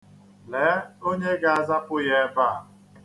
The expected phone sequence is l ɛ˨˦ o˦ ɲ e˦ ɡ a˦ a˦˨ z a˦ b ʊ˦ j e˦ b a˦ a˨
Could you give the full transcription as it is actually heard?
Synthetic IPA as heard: l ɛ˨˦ o˦ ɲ e˦ ɡ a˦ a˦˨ z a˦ p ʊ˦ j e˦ b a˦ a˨